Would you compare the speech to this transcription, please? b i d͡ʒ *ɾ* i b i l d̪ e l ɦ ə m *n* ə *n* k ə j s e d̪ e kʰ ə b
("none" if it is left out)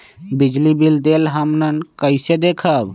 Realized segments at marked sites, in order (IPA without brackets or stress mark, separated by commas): l, n, n